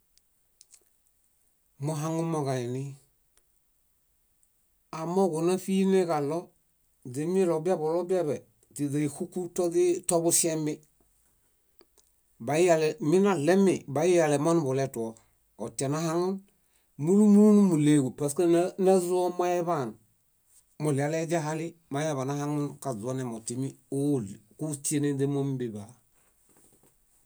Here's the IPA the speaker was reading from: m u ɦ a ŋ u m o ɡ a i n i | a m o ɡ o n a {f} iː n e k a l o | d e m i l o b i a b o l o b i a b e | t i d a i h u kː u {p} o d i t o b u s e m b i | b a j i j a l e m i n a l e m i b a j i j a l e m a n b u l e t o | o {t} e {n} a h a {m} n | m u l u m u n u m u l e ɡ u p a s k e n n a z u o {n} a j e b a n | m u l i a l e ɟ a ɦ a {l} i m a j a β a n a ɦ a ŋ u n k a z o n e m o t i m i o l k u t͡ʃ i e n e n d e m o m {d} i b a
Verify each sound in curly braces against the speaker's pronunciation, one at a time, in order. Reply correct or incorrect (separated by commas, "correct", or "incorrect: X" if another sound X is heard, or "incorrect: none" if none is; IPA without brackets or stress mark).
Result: correct, incorrect: t, correct, correct, incorrect: ŋ, incorrect: m, correct, incorrect: b